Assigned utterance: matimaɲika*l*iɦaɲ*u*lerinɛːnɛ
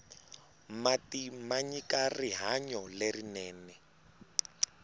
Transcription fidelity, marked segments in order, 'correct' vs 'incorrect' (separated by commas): incorrect, incorrect